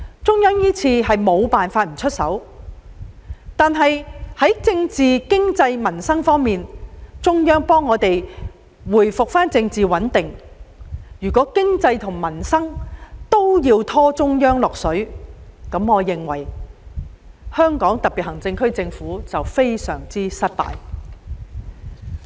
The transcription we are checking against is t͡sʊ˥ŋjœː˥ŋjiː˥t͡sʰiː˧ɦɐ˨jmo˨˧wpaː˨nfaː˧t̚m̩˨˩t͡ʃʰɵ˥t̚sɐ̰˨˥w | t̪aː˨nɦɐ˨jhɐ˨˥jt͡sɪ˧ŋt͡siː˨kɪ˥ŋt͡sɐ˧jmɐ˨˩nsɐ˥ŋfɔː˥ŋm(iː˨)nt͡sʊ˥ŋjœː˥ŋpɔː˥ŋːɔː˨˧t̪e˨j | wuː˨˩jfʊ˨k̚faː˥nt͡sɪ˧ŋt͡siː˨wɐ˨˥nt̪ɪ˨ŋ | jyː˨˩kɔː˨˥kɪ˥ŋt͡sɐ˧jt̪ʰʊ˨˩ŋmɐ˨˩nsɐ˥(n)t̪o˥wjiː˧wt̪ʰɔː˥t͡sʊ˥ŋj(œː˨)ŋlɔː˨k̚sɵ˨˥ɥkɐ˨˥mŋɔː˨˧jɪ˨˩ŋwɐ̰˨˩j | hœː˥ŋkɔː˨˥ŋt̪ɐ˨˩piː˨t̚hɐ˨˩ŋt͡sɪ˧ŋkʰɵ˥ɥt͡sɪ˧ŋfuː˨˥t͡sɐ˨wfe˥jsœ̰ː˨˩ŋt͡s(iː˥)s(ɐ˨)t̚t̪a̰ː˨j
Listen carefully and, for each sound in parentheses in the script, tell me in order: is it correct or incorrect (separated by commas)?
correct, incorrect, incorrect, correct, incorrect